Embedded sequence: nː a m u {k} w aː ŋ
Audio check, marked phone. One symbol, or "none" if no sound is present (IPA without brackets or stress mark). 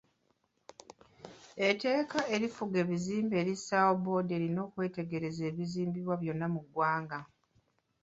ɡ